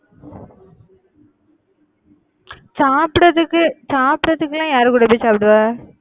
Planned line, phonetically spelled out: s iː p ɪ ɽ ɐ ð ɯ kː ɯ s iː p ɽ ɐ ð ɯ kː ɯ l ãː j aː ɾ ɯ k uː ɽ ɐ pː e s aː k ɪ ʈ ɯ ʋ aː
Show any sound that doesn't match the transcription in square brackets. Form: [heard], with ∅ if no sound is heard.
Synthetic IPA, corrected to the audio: s [aː] p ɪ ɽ ɐ ð ɯ kː ɯ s [aː] p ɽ ɐ ð ɯ kː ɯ l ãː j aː ɾ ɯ k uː ɽ ɐ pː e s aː [p] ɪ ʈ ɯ ʋ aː